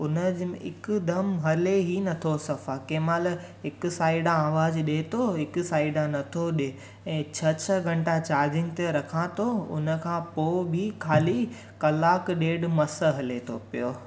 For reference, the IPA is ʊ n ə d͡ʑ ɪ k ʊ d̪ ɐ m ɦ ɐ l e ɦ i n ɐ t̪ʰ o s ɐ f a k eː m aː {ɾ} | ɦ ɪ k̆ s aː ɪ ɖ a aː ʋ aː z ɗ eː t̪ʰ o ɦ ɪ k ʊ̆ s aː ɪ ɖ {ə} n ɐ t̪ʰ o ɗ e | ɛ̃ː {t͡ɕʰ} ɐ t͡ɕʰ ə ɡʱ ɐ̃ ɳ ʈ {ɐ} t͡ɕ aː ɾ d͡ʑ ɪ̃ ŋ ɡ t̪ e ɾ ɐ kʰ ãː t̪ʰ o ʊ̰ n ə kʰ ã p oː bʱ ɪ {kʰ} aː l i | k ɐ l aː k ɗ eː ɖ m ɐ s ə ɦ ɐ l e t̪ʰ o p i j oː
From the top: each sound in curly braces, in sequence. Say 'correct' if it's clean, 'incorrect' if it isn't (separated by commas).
incorrect, incorrect, correct, incorrect, correct